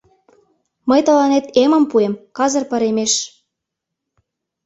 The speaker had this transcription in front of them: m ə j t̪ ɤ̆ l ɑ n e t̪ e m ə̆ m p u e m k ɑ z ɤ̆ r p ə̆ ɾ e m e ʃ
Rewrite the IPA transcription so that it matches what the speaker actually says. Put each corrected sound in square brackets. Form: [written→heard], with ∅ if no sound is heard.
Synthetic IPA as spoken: m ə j t̪ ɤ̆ l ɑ n e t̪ e m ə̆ m p u e m k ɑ z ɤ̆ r p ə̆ ɾ e m e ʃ